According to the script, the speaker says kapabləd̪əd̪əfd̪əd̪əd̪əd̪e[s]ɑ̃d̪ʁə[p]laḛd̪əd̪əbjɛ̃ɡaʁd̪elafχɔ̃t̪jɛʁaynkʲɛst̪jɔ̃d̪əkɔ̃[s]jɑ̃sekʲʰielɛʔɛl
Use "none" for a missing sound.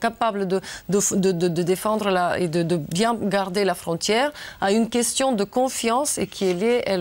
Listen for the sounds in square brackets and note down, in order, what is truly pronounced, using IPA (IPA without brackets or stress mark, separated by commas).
f, none, f